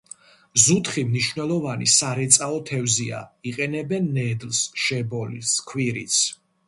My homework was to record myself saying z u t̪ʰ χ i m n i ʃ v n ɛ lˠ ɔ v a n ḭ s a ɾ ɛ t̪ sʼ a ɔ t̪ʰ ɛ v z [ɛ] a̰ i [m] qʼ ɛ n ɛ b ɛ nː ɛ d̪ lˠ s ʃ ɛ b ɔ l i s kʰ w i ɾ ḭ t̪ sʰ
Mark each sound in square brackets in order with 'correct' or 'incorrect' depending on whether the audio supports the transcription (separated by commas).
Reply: incorrect, incorrect